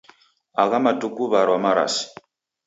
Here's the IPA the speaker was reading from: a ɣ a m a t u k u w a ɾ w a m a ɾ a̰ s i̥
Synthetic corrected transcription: a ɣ a m a t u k u β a ɾ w a m a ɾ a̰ s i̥

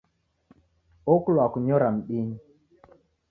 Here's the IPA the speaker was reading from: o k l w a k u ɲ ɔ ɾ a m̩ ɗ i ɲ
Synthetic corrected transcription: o k l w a k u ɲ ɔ ɾ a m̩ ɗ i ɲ

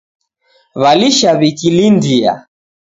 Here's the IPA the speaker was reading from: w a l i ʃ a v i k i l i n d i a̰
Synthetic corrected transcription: β a l i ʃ a β i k i l i n d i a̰

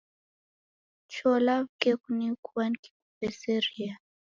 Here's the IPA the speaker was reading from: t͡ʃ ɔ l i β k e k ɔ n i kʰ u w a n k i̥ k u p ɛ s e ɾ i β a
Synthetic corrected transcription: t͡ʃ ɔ l a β k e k u n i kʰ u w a n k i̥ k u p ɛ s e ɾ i a

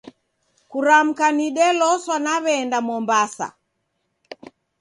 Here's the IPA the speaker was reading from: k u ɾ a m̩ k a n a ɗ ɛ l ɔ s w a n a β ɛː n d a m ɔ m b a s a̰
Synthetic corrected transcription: k u ɾ a m̩ k a n i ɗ ɛ l ɔ s w a n a β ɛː n d a m ɔ m b a s a̰

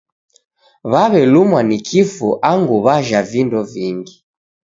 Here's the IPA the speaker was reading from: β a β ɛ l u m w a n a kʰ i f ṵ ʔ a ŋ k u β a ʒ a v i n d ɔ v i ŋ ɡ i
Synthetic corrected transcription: β a β ɛ l u m w a n i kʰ i f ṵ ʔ a ŋ ɡ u β a ʒ a v i n d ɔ v i ŋ ɡ i

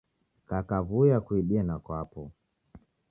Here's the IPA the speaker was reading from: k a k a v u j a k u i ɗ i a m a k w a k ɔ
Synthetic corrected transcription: k a k a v u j a k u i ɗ i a n a k w a p ɔ

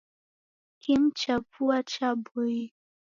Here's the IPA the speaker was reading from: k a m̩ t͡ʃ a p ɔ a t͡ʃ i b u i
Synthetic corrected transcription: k i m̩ t͡ʃ a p u a t͡ʃ a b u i

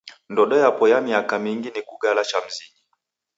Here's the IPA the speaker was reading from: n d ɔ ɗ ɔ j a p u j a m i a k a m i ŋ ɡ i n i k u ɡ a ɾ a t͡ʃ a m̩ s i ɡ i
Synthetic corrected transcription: n d ɔ ɗ ɔ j a p ɔ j a m i a k a m i ŋ ɡ i n i k u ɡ a l a t͡ʃ a m̩ z i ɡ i

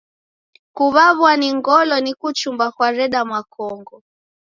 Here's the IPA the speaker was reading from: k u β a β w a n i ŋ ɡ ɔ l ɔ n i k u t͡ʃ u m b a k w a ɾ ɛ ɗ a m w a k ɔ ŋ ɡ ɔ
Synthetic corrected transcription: k u β a β w a n i ŋ ɡ ɔ l ɔ n i k u t͡ʃ u m b a k w a ɾ ɛ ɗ a m w a k ɔ ŋ ɡ ɔ

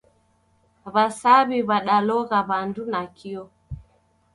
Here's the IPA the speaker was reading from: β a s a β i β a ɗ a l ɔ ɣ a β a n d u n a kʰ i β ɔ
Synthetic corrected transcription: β a s a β i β a ɗ a l ɔ ɣ a β a n d u n a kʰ i ɔ

